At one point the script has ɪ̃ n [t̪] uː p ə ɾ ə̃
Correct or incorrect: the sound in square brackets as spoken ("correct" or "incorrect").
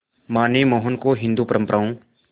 incorrect